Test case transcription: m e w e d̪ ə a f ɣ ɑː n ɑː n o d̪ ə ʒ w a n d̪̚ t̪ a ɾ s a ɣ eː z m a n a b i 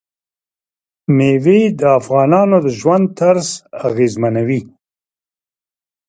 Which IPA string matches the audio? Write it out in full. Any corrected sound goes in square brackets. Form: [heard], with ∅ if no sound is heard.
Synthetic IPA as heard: m e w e d̪ ə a f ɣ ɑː n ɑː n o d̪ ə ʒ w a n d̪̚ t̪ a ɾ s a ɣ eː z m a n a [w] i